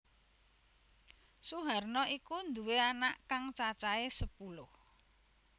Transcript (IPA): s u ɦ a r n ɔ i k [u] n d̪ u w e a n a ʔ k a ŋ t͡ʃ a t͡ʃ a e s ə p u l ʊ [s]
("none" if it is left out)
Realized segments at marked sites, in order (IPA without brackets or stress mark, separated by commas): u, h